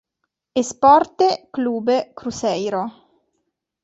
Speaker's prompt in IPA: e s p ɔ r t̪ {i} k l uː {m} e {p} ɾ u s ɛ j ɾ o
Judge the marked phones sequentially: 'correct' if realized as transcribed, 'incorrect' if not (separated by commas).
incorrect, incorrect, incorrect